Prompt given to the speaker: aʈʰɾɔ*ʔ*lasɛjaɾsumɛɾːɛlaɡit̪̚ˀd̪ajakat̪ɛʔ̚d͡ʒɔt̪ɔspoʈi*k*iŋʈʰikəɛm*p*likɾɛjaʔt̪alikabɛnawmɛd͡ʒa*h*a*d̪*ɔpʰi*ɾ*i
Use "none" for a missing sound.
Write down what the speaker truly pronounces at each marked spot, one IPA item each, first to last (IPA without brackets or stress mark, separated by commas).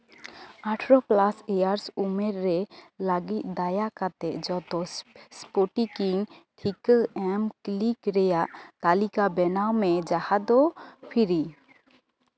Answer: p, k, k, h, d̪, ɾ